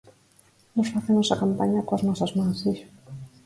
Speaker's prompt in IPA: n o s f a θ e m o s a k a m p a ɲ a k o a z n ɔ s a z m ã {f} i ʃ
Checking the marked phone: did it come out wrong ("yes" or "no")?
yes